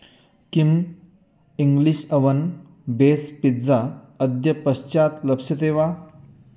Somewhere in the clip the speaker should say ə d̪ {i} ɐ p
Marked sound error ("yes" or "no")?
yes